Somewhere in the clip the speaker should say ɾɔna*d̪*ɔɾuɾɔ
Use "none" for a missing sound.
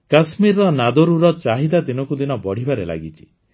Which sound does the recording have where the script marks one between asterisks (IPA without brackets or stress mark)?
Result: d̪